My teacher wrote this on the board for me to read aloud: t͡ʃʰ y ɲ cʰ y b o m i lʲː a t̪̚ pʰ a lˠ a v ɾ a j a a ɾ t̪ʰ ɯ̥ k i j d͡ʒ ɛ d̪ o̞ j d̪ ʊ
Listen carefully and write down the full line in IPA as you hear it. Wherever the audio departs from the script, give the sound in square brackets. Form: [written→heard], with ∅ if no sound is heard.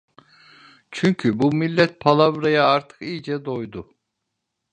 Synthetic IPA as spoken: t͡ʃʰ y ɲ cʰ y b [o→u] m i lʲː [a→ɛ] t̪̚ pʰ a lˠ a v ɾ a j a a ɾ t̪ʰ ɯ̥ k i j d͡ʒ ɛ d̪ o̞ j d̪ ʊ